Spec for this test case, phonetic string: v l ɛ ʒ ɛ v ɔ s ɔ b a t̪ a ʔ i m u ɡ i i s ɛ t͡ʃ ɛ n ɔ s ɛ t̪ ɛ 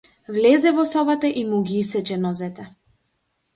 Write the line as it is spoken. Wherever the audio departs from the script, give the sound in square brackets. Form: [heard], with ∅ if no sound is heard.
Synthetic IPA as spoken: v l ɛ [z] ɛ v ɔ s ɔ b a t̪ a ʔ i m u ɡ i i s ɛ t͡ʃ ɛ n ɔ [z] ɛ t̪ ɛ